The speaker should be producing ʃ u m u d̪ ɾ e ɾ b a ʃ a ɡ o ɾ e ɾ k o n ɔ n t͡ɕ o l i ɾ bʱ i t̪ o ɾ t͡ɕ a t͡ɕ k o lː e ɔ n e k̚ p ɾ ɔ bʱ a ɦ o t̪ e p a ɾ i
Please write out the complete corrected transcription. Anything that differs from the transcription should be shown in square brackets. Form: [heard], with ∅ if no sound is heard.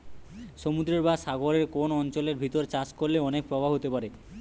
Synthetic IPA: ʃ [o] m u d̪ ɾ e ɾ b a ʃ a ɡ o ɾ e ɾ k o n ɔ n t͡ɕ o l [e] ɾ bʱ i t̪ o ɾ t͡ɕ a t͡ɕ k o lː e ɔ n e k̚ p ɾ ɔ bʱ a ɦ o t̪ e p a ɾ [e]